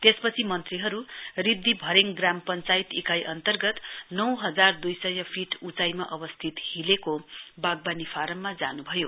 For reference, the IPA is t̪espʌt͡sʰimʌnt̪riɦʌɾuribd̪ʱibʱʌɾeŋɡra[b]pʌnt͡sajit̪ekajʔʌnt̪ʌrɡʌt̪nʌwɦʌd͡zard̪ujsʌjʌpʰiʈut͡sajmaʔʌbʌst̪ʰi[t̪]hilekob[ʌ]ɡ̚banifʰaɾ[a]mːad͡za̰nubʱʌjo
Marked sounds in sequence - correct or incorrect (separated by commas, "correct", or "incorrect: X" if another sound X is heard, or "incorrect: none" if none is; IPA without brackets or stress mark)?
incorrect: m, correct, incorrect: a, incorrect: ʌ